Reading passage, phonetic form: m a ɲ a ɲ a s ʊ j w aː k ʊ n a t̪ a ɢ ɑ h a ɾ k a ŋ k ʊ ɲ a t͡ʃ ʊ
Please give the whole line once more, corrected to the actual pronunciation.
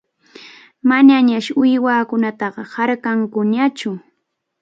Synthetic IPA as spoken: m a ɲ a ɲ a ʃ ʊ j w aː k ʊ n a t̪ ɑ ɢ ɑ h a ɾ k a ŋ k ʊ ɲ a t͡ʃ ʊ